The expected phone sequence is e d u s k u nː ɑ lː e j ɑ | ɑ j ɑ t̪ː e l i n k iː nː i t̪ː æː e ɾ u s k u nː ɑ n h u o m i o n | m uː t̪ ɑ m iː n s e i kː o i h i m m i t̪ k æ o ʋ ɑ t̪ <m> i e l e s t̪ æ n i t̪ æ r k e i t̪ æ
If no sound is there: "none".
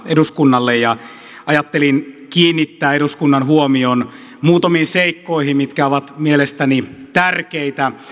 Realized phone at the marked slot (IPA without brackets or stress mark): m